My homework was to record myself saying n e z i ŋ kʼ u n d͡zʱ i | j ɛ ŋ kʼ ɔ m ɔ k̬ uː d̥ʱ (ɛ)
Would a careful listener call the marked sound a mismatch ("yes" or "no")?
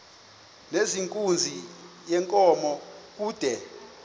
no